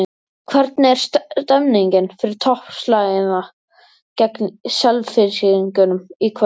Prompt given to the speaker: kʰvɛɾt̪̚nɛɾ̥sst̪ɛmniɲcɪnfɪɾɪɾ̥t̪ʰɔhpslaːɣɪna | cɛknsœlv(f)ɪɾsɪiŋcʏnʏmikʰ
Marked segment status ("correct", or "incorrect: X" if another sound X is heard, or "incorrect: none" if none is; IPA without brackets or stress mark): correct